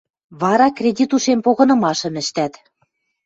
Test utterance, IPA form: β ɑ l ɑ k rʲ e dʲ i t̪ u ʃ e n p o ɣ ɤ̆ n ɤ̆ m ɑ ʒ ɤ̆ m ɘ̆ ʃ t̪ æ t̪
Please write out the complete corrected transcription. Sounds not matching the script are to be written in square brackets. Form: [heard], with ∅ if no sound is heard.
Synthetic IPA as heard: β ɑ [ɾ] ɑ k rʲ e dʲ i t̪ u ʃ e [m] p o ɣ ɤ̆ n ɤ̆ m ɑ [ʃ] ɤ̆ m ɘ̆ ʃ t̪ æ t̪